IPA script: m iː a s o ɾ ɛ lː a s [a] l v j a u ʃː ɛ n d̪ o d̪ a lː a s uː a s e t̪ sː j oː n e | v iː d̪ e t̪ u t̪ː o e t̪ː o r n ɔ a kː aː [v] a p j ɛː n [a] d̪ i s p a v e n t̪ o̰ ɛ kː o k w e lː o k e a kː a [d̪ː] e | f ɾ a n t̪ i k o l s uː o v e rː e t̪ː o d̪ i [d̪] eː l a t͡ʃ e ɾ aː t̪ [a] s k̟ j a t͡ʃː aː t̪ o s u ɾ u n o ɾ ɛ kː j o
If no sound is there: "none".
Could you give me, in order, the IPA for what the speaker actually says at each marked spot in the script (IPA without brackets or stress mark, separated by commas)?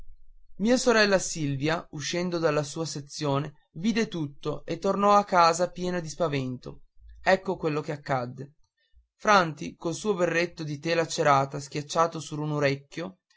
i, z, a, d̪ː, t̪, a